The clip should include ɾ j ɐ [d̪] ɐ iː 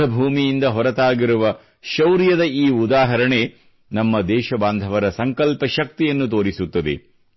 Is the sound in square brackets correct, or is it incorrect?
correct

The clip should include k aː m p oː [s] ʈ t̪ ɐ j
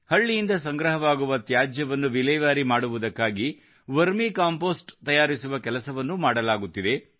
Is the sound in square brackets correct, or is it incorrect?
correct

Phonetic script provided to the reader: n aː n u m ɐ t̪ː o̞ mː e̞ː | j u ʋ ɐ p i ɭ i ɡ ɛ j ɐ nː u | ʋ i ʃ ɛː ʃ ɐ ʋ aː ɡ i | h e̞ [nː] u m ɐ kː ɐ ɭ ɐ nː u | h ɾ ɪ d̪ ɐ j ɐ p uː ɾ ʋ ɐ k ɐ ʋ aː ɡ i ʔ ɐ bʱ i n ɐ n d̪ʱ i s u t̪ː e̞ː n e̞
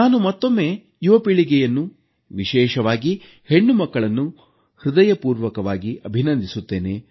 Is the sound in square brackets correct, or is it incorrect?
incorrect: ɳː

